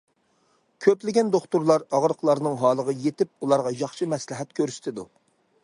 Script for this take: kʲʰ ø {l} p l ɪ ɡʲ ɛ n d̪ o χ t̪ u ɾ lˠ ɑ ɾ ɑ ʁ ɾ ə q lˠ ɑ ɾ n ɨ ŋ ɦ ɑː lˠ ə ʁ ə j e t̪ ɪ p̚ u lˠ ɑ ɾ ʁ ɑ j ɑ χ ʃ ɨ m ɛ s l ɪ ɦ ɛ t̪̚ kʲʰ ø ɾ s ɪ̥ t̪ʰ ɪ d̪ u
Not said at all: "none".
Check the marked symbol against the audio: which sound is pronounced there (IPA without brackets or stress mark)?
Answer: none